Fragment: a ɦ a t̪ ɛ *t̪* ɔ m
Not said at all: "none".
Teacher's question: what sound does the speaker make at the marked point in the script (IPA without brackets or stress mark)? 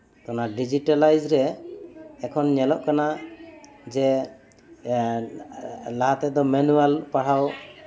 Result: d̪